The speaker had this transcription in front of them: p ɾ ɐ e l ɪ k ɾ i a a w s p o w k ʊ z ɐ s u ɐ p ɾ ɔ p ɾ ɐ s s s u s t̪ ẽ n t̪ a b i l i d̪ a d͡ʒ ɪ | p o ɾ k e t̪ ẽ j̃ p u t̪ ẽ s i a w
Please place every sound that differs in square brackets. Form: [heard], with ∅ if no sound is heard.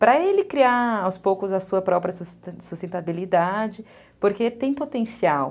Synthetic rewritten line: p ɾ ɐ e l ɪ k ɾ i a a w s p o w k ʊ z ɐ s u ɐ p ɾ ɔ p ɾ ɐ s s s u s t̪ ẽ n t̪ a b i l i d̪ a d͡ʒ ɪ | p o ɾ k e t̪ ẽ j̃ p [o] t̪ ẽ s i a w

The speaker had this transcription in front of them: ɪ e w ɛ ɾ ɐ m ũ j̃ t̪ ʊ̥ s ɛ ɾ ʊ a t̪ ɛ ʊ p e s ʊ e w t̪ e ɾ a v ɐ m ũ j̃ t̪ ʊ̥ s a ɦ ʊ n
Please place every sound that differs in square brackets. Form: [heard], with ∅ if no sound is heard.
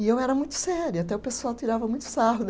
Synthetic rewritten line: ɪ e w ɛ ɾ ɐ m ũ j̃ t̪ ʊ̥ s ɛ ɾ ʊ a t̪ ɛ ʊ p e s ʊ [a] w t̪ [i] ɾ a v ɐ m ũ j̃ t̪ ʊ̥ s a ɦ ʊ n

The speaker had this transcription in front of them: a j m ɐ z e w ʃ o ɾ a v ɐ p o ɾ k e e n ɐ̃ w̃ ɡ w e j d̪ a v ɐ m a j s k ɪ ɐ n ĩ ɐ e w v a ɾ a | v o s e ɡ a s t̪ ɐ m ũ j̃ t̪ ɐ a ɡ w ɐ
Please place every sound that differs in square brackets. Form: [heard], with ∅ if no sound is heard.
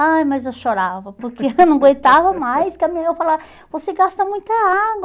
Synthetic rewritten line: a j m ɐ z e w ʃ o ɾ a v ɐ p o ɾ k e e n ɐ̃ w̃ ɡ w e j [t̪] a v ɐ m a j s k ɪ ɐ [m] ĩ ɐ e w [f] a [l] a | v o s e ɡ a s t̪ ɐ m ũ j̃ t̪ ɐ a ɡ w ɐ

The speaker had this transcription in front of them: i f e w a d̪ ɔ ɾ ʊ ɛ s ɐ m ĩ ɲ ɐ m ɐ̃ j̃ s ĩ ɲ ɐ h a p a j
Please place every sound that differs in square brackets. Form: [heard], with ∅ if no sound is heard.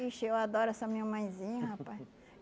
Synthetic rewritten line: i [ʃ] e w a d̪ ɔ ɾ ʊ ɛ s ɐ m ĩ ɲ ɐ m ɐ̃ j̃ [z] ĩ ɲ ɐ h a p a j

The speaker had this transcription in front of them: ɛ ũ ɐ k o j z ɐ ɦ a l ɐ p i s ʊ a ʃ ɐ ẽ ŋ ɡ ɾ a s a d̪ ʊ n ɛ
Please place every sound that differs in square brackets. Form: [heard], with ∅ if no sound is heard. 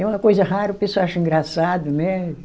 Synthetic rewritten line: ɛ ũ ɐ k o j z ɐ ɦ a [ɾ] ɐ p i s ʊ a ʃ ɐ [ĩ] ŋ ɡ ɾ a s a d̪ ʊ n ɛ

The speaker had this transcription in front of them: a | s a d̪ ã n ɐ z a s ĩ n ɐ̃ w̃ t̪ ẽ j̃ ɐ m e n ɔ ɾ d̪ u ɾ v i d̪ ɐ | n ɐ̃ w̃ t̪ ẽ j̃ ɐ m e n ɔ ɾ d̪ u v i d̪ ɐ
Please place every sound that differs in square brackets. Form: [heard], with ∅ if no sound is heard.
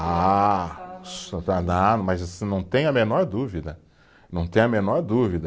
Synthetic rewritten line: a | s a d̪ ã [m] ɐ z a s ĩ n ɐ̃ w̃ t̪ ẽ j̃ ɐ m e n ɔ ɾ d̪ u [∅] v i d̪ ɐ | n ɐ̃ w̃ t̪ ẽ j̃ ɐ m e n ɔ ɾ d̪ u v i d̪ ɐ

